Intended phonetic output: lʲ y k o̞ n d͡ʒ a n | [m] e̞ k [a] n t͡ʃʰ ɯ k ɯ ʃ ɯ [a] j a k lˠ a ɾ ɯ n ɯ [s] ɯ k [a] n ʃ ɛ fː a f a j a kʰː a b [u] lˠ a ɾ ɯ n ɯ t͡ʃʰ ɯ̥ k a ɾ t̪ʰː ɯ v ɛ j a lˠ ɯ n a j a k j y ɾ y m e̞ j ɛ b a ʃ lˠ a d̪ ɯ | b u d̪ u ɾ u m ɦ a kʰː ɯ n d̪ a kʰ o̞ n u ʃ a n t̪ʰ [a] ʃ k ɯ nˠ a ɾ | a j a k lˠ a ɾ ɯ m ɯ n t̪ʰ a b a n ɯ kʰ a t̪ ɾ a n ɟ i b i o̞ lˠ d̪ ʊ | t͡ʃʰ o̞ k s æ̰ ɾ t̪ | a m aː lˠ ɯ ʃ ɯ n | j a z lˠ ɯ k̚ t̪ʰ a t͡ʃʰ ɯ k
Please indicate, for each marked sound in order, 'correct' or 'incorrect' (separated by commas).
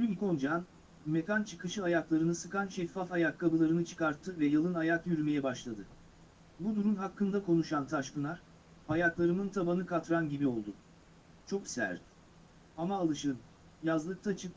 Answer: correct, correct, correct, correct, correct, incorrect, correct